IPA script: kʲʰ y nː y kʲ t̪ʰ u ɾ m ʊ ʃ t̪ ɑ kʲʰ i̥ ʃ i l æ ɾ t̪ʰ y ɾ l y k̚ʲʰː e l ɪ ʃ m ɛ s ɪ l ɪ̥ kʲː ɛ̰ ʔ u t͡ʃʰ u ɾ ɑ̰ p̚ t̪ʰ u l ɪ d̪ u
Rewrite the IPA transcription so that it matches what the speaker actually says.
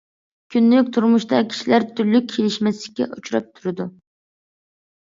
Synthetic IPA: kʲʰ y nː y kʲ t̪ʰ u ɾ m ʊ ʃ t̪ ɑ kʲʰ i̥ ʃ i l æ ɾ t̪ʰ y ɾ l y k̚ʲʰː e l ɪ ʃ m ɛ s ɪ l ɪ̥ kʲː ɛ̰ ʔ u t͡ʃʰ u ɾ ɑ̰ p̚ t̪ʰ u ɾ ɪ d̪ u